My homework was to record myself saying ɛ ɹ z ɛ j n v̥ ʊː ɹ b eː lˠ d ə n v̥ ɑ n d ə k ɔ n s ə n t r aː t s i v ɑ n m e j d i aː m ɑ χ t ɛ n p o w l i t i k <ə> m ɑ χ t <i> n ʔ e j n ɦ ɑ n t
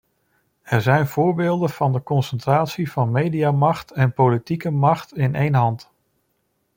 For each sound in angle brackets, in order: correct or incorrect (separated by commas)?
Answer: correct, incorrect